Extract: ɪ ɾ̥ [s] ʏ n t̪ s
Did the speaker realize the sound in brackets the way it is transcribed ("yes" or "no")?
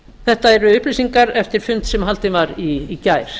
no